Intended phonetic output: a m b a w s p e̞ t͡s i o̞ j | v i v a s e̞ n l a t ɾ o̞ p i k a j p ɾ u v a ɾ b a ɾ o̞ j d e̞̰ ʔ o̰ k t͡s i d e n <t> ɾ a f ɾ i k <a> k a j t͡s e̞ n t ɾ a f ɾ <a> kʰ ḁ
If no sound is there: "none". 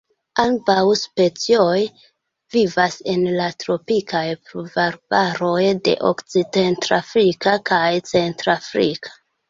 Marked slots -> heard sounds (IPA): t, a, i

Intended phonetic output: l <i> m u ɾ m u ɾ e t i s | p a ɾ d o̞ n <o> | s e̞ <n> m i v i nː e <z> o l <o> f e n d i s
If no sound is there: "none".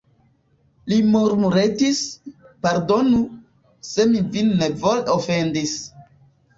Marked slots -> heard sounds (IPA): i, u, none, v, o

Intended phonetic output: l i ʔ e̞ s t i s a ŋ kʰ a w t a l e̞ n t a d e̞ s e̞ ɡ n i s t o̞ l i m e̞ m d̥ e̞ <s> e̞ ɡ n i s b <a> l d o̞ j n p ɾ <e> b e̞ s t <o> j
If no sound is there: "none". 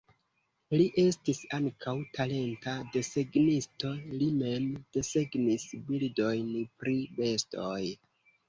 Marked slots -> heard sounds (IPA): s, i, i, o

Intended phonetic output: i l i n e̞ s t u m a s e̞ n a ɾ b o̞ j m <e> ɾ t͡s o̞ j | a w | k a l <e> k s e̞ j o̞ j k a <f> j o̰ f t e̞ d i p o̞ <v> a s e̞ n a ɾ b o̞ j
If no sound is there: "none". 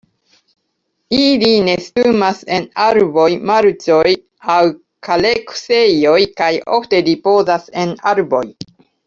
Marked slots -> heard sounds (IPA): a, e, none, z

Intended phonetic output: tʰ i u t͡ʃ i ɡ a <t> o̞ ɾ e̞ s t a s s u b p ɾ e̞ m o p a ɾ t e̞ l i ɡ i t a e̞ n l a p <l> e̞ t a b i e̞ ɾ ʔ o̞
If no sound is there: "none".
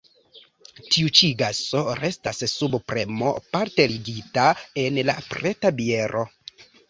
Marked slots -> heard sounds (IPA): s, ɾ

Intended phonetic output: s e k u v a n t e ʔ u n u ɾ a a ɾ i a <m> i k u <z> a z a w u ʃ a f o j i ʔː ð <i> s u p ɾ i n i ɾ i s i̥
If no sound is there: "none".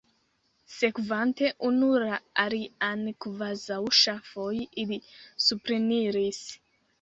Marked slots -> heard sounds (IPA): n, v, i

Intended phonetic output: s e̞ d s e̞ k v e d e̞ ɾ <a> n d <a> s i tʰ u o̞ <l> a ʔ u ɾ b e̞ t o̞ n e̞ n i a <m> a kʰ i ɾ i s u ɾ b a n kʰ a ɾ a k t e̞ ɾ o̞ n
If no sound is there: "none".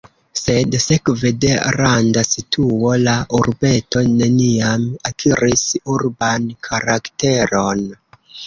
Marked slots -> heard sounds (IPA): a, a, l, m

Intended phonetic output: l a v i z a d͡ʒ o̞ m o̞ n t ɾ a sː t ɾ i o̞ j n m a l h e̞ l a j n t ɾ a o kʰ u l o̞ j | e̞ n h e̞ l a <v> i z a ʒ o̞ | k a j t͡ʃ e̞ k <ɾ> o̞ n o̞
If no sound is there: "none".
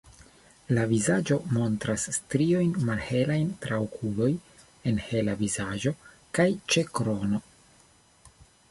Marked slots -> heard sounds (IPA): v, ɾ

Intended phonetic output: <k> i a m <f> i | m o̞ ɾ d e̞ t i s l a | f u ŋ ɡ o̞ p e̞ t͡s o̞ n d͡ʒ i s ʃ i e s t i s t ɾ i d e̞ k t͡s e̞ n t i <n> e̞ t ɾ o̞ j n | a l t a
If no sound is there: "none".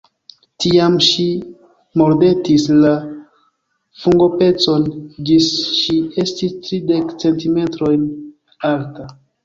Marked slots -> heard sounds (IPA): t, ʃ, m

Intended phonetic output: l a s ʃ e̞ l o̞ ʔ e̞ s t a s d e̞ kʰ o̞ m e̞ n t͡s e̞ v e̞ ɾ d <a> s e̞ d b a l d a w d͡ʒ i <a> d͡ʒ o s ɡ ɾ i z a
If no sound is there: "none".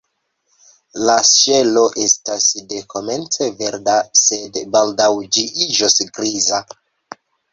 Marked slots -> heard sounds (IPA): a, i

